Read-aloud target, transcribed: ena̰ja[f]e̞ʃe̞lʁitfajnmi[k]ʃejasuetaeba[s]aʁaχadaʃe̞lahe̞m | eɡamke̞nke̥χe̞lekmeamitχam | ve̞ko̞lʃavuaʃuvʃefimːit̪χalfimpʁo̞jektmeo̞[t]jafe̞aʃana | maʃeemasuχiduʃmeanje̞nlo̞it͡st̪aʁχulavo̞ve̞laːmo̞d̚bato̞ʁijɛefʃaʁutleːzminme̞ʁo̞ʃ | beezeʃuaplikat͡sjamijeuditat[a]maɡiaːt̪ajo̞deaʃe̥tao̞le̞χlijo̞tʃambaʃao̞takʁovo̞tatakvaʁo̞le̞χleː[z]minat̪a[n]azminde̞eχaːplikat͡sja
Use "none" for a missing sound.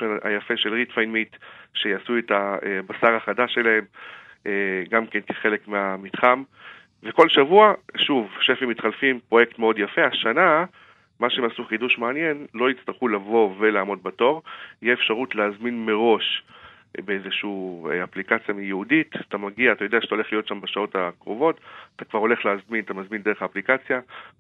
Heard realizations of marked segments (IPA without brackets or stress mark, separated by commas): f, t, s, d, a, z, m